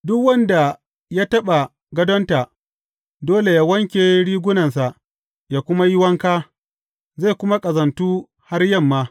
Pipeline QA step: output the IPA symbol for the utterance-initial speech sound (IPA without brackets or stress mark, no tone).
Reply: d